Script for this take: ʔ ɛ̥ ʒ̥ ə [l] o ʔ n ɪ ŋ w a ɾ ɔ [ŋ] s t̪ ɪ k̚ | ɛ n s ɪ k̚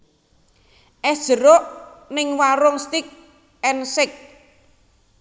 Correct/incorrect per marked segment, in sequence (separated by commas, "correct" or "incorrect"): incorrect, correct